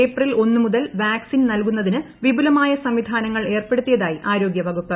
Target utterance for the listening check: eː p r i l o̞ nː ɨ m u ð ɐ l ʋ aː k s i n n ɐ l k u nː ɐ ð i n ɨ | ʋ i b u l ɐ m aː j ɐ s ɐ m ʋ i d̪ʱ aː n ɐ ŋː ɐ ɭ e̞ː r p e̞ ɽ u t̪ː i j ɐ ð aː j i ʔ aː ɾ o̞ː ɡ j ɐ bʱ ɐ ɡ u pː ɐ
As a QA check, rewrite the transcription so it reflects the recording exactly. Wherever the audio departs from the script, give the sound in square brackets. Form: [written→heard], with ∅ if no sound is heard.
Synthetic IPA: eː p r i l o̞ nː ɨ m u ð ɐ l ʋ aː k s i n n ɐ l k u nː ɐ ð i n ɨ | ʋ i b u l ɐ m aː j ɐ s ɐ m ʋ i d̪ʱ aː n ɐ ŋː ɐ ɭ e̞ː r p e̞ ɽ u t̪ː i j ɐ ð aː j i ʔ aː ɾ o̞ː ɡ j ɐ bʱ ɐ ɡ u pː ɐ

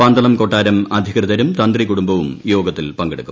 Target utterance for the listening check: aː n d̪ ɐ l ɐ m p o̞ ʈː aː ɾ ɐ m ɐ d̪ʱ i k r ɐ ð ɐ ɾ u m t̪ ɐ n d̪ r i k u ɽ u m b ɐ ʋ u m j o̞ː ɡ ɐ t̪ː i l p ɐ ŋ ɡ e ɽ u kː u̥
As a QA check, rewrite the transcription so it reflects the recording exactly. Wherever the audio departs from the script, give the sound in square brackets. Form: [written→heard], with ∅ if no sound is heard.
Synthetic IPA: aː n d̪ ɐ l ɐ m [p→k] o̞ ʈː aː ɾ ɐ m ɐ d̪ʱ i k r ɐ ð ɐ ɾ u m t̪ ɐ n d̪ r i k u ɽ u m b ɐ ʋ u m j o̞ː ɡ ɐ t̪ː i l p ɐ ŋ ɡ e ɽ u kː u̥

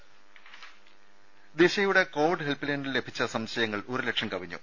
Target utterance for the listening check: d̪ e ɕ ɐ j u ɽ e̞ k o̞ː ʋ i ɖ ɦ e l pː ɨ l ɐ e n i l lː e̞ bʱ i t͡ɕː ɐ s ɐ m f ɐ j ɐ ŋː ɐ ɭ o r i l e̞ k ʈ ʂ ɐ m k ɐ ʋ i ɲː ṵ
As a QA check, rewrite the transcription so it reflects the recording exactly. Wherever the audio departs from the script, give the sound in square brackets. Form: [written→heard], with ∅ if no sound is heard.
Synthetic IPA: d̪ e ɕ ɐ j u ɽ e̞ k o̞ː ʋ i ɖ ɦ e l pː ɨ l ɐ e n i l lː e̞ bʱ i t͡ɕː ɐ s ɐ m [f→ɕ] ɐ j ɐ ŋː ɐ ɭ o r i l e̞ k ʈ ʂ ɐ m k ɐ ʋ i ɲː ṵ

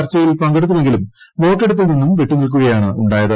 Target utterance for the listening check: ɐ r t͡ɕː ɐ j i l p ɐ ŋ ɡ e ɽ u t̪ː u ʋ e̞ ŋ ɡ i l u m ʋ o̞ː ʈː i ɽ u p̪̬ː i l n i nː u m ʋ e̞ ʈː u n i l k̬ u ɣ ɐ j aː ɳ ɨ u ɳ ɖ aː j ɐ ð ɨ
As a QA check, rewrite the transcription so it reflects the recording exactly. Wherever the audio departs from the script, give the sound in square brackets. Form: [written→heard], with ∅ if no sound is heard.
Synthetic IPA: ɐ r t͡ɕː ɐ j i l p ɐ ŋ ɡ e ɽ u t̪ː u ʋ e̞ ŋ ɡ i l u m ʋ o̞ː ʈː [i→e] ɽ u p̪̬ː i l n i nː u m ʋ e̞ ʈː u n i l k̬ u ɣ ɐ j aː ɳ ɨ u ɳ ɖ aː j ɐ ð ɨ

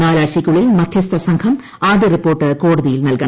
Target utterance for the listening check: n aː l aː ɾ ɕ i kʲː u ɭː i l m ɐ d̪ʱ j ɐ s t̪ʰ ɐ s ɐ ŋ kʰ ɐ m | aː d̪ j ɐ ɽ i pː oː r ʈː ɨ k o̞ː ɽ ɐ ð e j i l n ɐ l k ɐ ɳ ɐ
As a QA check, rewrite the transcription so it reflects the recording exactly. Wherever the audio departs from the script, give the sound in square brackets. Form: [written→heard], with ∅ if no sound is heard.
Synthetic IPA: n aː l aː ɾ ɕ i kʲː u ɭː i l m ɐ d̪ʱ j ɐ s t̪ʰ ɐ s ɐ ŋ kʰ ɐ m | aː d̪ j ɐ [ɽ→r] i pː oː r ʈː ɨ k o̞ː ɽ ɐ ð [e→i] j i l n ɐ l k ɐ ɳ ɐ

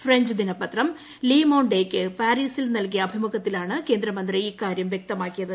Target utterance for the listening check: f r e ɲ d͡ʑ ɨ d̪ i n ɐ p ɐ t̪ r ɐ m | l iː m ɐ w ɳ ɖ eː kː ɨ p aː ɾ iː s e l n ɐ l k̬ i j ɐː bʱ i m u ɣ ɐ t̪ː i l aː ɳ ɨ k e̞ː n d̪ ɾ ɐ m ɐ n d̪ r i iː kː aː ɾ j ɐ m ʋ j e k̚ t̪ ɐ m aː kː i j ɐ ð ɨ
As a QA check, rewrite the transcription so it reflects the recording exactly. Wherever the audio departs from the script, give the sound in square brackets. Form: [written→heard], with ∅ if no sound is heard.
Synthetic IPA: f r e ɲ d͡ʑ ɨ d̪ i n ɐ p ɐ t̪ r ɐ m | l iː m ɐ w ɳ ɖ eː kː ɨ p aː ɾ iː s [e→i] l n ɐ l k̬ i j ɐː bʱ i m u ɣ ɐ t̪ː i l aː ɳ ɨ k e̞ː n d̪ ɾ ɐ m ɐ n d̪ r i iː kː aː ɾ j ɐ m ʋ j e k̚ t̪ ɐ m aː kː i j ɐ ð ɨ

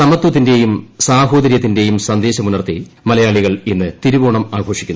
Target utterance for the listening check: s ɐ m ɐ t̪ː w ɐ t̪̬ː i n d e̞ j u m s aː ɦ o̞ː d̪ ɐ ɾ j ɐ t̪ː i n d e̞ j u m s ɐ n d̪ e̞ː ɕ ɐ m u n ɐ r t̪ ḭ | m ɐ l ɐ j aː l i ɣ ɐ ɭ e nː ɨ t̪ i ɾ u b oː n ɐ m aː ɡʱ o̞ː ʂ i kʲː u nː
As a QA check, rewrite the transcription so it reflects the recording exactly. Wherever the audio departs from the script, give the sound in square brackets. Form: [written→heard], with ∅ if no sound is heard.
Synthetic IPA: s ɐ m ɐ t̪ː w ɐ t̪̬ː i n d e̞ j u m s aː ɦ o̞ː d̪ ɐ ɾ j ɐ t̪ː i n d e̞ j u m s ɐ n d̪ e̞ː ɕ ɐ m u n ɐ r t̪ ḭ | m ɐ l ɐ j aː [l→ɭ] i ɣ ɐ ɭ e nː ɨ t̪ i ɾ u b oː [n→ɳ] ɐ m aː ɡʱ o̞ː ʂ i kʲː u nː

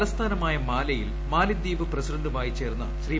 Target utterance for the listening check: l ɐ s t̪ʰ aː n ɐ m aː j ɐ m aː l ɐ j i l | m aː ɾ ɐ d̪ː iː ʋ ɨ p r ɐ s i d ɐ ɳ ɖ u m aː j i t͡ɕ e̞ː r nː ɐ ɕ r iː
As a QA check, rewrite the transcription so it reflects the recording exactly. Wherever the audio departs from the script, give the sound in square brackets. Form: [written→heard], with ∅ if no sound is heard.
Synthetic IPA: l ɐ s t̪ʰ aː n ɐ m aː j ɐ m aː l ɐ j i l | m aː [ɾ→l] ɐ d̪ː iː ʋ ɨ p r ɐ s i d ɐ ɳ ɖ u m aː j i t͡ɕ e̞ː r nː ɐ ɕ r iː

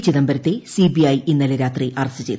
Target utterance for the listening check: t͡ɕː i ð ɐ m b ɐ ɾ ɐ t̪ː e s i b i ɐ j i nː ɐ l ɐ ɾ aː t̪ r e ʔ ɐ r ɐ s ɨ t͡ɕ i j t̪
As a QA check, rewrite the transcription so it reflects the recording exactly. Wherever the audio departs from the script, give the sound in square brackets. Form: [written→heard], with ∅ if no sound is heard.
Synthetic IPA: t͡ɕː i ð ɐ m b ɐ ɾ ɐ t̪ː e s i b i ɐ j i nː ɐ l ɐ ɾ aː t̪ r [e→i] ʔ ɐ r ɐ s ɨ t͡ɕ [i→e] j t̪

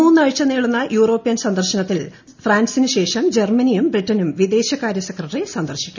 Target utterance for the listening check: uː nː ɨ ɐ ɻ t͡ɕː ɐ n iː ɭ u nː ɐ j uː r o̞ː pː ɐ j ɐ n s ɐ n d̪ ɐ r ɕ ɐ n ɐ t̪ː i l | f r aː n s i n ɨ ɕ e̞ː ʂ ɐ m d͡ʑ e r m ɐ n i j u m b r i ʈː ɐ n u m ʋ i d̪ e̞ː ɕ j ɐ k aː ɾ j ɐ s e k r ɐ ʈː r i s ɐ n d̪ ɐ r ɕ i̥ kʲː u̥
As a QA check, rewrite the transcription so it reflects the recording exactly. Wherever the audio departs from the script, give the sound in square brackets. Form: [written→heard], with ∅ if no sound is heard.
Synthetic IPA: uː nː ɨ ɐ ɻ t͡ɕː ɐ n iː ɭ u nː ɐ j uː r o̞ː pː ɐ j ɐ n s ɐ n d̪ ɐ r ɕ ɐ n ɐ t̪ː i l | f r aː n s i n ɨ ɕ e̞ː ʂ ɐ m d͡ʑ e r m ɐ n i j u m b r i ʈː ɐ n u m ʋ i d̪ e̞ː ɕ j ɐ k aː ɾ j ɐ s e k r ɐ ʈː r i s ɐ n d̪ ɐ r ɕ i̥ kʲː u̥

